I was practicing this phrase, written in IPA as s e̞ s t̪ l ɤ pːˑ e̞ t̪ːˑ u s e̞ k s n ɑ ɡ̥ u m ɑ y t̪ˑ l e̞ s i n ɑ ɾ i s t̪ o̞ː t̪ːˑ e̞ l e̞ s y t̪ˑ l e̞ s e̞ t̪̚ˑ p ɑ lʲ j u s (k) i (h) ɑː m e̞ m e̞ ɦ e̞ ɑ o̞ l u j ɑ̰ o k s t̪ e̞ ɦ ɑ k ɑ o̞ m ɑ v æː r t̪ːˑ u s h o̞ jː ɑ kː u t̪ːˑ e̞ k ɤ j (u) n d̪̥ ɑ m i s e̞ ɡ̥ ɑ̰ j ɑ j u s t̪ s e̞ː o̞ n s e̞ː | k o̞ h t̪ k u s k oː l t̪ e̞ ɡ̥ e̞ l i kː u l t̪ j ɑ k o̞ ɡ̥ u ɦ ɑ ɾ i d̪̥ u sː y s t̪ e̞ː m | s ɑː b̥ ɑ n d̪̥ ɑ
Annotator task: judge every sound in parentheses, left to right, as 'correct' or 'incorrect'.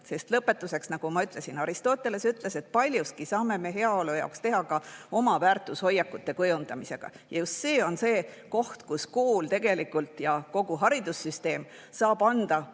correct, incorrect: s, correct

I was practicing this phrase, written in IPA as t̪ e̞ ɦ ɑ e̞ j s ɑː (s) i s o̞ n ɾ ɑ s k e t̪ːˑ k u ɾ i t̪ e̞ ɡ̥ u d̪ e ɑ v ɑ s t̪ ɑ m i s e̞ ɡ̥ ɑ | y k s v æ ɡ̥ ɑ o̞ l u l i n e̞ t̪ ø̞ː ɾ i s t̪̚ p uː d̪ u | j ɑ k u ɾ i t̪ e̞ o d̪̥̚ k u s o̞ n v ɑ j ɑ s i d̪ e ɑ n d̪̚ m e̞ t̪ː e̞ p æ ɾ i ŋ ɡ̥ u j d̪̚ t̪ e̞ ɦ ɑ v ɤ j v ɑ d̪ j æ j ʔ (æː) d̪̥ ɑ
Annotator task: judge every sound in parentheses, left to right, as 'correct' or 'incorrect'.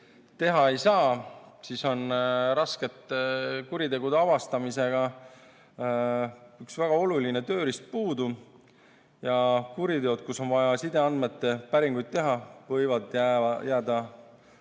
correct, correct

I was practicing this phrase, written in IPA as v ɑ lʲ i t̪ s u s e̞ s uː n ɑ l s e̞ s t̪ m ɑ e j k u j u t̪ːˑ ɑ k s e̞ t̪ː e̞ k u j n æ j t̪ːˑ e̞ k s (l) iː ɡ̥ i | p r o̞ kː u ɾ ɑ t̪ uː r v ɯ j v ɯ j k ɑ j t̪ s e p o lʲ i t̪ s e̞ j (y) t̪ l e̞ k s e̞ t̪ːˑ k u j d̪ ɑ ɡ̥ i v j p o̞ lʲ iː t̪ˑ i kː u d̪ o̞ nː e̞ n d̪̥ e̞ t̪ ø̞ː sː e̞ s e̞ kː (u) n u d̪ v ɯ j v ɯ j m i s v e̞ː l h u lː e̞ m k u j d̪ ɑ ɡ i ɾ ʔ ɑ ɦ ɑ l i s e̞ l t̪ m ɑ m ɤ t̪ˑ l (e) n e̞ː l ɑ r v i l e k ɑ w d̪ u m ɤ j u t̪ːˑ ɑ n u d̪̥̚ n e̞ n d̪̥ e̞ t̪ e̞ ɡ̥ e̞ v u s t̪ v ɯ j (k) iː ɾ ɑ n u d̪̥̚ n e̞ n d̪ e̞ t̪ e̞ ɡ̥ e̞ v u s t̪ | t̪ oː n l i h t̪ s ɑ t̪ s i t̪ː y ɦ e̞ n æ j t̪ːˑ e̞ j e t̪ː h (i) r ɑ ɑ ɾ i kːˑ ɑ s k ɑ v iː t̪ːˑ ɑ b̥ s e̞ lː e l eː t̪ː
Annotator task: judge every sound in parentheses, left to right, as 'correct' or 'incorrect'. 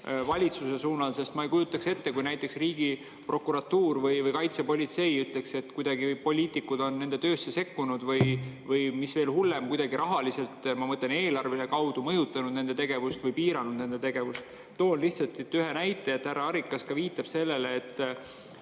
incorrect: r, correct, correct, correct, incorrect: p, incorrect: æ

